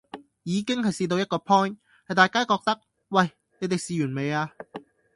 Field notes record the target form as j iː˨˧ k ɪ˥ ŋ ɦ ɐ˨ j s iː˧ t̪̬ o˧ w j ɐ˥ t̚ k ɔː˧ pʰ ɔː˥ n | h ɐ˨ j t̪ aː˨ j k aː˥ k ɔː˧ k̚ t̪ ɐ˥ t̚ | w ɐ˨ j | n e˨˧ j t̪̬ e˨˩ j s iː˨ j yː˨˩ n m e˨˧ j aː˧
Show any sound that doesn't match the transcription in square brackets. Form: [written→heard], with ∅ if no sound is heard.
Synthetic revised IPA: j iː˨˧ k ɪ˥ ŋ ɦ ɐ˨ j s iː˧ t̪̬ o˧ w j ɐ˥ t̚ k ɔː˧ pʰ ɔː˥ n | h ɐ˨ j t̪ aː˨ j k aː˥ k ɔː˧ k̚ t̪ ɐ˥ [t̚→k̚] | w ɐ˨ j | n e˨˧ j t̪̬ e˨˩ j s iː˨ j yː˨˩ n m e˨˧ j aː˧